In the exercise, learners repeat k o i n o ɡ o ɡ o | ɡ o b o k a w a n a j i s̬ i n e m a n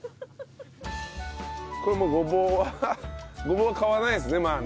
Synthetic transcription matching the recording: k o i m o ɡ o b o | ɡ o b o k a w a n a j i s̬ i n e m a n